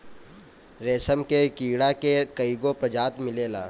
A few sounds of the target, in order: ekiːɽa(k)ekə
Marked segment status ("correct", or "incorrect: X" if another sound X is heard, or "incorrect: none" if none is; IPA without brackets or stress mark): correct